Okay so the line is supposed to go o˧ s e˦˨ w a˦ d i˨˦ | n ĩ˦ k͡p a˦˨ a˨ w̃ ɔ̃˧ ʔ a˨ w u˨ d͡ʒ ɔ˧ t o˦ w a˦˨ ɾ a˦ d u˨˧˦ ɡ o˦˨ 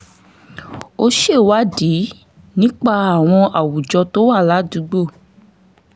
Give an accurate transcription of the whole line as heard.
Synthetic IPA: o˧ ʃ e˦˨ w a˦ d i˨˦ | n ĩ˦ k͡p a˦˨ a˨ w̃ ɔ̃˧ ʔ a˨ w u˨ d͡ʒ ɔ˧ t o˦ w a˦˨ l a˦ d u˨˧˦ ɡ͡b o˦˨